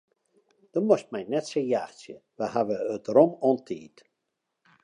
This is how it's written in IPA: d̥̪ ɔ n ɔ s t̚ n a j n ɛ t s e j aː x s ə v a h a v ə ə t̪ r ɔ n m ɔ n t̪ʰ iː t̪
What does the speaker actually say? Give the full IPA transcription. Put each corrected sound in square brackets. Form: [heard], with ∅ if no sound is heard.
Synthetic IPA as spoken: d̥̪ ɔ [m] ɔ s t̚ [m] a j n ɛ t s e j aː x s ə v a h a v ə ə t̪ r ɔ [∅] m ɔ n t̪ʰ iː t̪